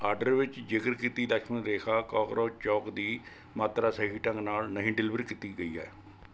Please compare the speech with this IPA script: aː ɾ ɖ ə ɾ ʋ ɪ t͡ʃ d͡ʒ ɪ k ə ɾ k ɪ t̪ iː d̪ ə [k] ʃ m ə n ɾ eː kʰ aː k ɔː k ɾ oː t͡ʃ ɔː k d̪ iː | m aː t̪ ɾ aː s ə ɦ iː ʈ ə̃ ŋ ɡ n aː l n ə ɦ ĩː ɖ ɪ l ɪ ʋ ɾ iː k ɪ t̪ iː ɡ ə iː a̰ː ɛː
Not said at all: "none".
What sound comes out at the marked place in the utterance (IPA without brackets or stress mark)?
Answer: k